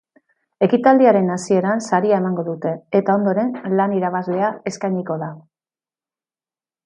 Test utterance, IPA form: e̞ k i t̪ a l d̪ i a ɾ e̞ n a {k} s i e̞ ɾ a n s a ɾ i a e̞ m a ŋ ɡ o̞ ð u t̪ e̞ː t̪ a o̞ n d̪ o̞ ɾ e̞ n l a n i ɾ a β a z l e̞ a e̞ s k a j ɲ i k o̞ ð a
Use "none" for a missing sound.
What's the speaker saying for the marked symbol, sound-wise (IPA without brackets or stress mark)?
none